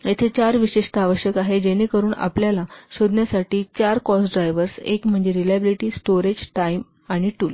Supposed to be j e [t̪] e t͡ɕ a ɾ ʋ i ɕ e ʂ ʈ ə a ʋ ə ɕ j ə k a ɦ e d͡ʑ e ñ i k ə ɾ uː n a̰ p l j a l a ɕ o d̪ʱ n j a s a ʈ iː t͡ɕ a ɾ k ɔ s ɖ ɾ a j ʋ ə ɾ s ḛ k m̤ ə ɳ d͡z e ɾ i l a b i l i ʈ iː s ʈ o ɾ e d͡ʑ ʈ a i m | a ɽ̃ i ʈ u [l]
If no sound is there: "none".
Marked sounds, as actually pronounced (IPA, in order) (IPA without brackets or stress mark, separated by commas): t̪ʰ, l